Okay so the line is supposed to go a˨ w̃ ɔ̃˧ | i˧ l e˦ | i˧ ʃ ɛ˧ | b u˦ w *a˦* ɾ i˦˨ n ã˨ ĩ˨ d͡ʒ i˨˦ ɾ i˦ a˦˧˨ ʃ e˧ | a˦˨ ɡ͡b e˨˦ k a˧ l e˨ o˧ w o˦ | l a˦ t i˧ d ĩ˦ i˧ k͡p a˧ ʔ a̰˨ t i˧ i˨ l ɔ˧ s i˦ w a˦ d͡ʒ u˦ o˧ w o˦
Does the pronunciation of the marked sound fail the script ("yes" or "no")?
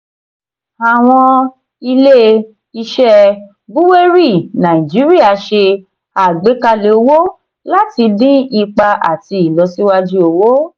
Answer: yes